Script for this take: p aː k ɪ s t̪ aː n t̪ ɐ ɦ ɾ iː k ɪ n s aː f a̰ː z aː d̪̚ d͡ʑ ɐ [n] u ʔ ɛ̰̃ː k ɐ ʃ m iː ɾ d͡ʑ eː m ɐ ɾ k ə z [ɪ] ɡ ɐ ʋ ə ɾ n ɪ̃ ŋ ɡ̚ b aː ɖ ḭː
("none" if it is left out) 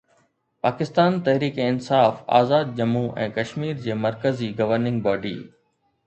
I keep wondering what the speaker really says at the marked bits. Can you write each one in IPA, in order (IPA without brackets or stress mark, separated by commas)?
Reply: m, i